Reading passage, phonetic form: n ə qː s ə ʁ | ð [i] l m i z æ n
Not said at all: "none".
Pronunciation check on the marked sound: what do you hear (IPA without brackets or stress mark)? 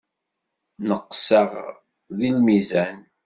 i